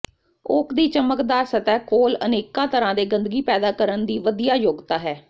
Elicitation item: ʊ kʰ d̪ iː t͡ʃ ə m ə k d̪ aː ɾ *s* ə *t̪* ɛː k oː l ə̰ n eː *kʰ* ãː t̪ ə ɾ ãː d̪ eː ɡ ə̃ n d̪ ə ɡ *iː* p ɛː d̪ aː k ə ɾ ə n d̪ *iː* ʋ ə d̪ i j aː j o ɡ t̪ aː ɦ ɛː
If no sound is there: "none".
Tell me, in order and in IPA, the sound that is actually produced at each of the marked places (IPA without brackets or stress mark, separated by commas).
s, t̪, k, iː, iː